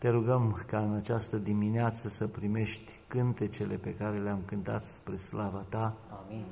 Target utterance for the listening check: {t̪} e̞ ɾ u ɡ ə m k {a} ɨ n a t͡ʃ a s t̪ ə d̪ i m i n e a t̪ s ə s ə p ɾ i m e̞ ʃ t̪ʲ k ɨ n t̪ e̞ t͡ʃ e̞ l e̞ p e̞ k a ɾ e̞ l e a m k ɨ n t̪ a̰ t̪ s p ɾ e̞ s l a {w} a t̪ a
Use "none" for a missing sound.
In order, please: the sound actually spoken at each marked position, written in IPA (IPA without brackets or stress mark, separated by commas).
t̪, a, v